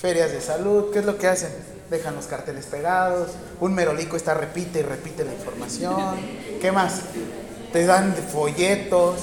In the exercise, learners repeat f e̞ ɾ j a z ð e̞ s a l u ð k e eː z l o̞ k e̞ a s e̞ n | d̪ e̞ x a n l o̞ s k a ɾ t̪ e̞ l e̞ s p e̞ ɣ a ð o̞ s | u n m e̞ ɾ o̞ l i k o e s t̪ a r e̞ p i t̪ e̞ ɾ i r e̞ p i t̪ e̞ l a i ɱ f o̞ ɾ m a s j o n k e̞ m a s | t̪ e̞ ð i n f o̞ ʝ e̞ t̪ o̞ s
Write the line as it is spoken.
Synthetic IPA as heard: f e̞ ɾ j a z ð e̞ s a l u ð k e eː z l o̞ k e̞ a s e̞ n | d̪ e̞ x a n l o̞ s k a ɾ t̪ e̞ l e̞ s p e̞ ɣ a ð o̞ s | u n m e̞ ɾ o̞ l i k o e s t̪ a r e̞ p i t̪ e̞ i r e̞ p i t̪ e̞ l a i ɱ f o̞ ɾ m a s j o n k e̞ m a s | t̪ e̞ ð a n f o̞ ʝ e̞ t̪ o̞ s